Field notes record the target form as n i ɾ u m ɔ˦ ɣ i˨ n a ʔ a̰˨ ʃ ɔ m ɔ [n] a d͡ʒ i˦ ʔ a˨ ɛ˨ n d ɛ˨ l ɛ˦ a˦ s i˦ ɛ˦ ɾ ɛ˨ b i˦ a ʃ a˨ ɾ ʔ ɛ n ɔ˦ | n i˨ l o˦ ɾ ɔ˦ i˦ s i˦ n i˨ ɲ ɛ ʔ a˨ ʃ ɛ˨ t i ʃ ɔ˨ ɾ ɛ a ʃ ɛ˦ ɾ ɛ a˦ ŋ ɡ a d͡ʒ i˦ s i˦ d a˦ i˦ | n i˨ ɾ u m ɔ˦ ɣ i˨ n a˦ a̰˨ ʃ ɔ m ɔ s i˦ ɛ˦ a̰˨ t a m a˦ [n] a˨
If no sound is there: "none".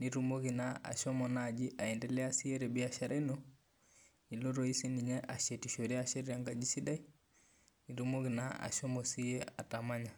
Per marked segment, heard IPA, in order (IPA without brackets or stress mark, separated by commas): n, ɲ